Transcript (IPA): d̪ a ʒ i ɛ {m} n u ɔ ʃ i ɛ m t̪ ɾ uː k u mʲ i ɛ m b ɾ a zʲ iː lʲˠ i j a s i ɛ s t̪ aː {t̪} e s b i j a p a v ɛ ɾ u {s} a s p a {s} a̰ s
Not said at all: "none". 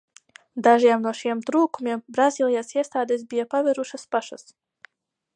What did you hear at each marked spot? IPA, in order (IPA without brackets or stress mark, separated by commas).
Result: m, d̪, ʃ, ʃ